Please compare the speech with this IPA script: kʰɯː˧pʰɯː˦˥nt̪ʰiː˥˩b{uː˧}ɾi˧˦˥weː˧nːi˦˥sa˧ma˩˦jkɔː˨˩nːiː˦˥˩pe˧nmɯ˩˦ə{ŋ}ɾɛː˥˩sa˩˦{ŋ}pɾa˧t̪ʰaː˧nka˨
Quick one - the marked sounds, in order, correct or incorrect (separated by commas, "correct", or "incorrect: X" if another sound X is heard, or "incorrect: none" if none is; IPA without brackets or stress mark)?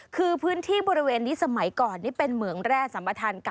incorrect: ɔː˧, correct, incorrect: m